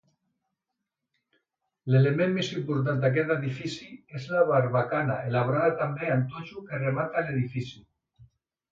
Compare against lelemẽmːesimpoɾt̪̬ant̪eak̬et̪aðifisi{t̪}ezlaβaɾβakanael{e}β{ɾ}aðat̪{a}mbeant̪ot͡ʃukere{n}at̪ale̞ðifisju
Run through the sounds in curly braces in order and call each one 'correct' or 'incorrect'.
incorrect: none, incorrect: a, correct, correct, incorrect: m

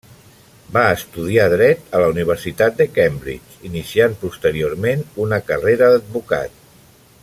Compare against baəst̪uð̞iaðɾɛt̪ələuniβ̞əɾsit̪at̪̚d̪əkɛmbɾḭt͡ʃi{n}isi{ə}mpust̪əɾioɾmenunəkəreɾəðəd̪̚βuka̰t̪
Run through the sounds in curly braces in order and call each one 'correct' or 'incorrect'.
correct, incorrect: a

